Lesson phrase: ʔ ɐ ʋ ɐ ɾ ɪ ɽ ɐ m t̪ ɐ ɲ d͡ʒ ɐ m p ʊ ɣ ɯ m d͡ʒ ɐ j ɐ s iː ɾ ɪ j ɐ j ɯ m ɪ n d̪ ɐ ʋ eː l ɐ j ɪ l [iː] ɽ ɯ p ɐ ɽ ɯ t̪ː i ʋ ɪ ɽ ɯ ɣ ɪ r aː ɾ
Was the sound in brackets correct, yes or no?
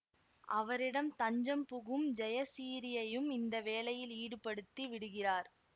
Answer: yes